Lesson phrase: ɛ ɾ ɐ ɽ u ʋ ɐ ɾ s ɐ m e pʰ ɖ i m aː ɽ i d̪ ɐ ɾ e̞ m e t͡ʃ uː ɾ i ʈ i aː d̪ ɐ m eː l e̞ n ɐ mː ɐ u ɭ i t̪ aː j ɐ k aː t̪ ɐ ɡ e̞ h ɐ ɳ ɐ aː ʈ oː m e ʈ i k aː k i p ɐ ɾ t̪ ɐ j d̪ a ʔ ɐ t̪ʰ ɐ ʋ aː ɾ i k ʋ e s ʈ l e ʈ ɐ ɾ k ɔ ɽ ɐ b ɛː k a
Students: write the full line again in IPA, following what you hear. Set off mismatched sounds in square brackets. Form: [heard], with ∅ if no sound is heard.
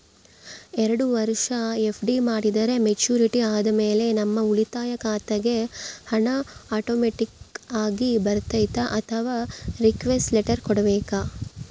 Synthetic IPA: ɛ ɾ ɐ ɽ u ʋ ɐ ɾ [ʂ] ɐ [∅] e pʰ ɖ i m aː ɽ i d̪ ɐ ɾ e̞ m e t͡ʃ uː ɾ i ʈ i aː d̪ ɐ m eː l e̞ n ɐ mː ɐ u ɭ i t̪ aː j ɐ k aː t̪ ɐ ɡ e̞ h ɐ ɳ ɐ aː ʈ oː m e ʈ i k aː [ɡ] i [b] ɐ ɾ t̪ ɐ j [t̪] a ʔ ɐ t̪ʰ ɐ ʋ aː ɾ i k ʋ e s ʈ l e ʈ ɐ ɾ k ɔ ɽ ɐ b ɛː k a